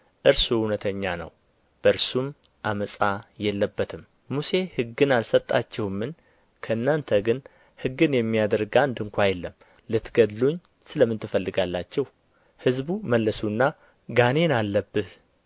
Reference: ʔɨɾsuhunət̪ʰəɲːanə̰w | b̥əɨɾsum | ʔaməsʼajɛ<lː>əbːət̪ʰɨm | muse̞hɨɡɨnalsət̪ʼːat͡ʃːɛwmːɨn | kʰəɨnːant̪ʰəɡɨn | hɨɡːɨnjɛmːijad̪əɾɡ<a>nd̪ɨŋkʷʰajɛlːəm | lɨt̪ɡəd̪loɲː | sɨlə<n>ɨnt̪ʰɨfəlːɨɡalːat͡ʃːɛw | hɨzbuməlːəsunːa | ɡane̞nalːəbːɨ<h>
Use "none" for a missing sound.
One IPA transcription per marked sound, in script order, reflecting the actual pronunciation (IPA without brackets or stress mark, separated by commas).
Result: lː, a, m, h